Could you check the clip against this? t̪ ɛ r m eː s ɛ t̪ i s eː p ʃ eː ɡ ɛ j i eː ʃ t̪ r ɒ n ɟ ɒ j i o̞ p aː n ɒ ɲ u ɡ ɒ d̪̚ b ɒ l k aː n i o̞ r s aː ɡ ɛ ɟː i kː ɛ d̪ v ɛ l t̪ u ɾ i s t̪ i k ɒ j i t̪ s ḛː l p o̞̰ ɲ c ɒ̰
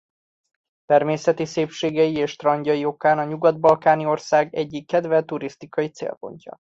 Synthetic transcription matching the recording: t̪ ɛ r m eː s ɛ t̪ i s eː p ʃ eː ɡ ɛ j i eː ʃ t̪ r ɒ ɲ ɟ ɒ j i o̞ k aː n ɒ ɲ u ɡ ɒ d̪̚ b ɒ l k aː n i o̞ r s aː ɡ ɛ ɟː i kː ɛ d̪ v ɛ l t̪ u ɾ i s t̪ i k ɒ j i t̪ s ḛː l p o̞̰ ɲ c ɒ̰